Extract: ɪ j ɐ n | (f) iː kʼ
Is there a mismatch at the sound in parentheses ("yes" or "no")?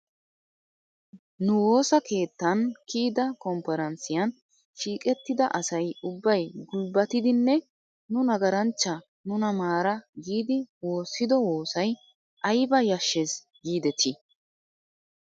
yes